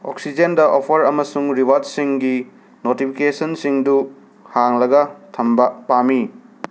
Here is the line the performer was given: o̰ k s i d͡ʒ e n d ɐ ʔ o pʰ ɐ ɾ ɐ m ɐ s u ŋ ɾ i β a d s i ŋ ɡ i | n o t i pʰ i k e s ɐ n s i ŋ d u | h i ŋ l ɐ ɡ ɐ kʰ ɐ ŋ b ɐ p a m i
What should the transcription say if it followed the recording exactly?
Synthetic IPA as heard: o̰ k s i d͡ʒ e n d ɐ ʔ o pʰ ɐ ɾ ɐ m ɐ s u ŋ ɾ i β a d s i ŋ ɡ i | n o t i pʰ i k e s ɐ n s i ŋ d u | h a ŋ l ɐ ɡ ɐ tʰ ɐ m b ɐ p a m i